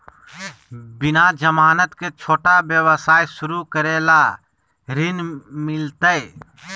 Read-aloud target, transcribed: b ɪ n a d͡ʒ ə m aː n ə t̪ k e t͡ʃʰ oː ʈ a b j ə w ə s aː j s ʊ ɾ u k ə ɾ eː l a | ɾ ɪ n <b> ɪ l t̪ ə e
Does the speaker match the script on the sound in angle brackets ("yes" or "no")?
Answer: no